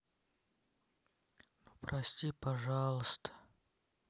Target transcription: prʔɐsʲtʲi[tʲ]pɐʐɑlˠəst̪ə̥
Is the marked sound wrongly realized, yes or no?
yes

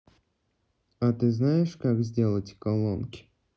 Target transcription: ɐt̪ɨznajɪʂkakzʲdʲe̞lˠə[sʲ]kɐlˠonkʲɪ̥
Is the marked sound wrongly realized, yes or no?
yes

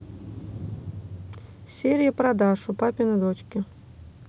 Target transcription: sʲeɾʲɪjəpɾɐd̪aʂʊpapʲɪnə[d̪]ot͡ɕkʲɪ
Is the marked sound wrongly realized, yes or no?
no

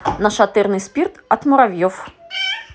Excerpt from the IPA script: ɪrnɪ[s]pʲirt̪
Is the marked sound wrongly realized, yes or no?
no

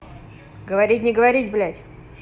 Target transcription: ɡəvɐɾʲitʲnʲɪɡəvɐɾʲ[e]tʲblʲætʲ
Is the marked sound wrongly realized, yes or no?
yes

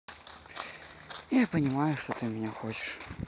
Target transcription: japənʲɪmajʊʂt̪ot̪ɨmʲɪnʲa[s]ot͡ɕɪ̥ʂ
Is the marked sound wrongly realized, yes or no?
yes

